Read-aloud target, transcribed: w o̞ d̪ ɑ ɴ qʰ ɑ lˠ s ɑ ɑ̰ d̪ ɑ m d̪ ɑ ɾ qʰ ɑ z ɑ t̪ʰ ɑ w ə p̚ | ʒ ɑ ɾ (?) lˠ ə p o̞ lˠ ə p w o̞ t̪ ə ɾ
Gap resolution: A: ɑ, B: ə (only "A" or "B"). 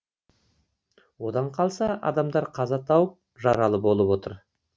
A